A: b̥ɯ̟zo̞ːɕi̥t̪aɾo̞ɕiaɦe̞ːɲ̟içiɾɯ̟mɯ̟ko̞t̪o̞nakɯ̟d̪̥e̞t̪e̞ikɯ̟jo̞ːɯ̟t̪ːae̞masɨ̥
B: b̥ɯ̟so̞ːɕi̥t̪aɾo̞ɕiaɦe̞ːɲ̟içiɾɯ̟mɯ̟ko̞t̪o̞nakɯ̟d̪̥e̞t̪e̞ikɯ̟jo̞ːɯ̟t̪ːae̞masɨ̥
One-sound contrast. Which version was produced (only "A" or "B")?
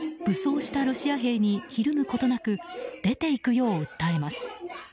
B